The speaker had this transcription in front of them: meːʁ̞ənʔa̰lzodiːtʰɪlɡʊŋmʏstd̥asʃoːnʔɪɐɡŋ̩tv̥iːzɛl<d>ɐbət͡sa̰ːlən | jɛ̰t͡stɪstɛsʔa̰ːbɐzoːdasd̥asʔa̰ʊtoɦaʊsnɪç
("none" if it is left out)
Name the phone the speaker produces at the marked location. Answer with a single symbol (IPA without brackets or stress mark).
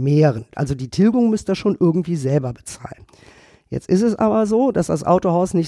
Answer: b